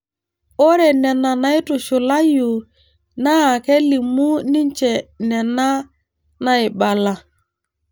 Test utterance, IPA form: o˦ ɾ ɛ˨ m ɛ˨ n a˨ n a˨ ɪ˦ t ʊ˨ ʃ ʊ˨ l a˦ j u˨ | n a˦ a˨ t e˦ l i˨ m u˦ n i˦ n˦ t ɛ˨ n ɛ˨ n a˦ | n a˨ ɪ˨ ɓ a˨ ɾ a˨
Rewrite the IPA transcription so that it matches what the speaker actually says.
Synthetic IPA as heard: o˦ ɾ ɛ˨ n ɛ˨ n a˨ n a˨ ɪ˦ t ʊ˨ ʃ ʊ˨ l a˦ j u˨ | n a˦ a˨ k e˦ l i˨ m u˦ n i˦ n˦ t͡ʃ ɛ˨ n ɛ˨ n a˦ | n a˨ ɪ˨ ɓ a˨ l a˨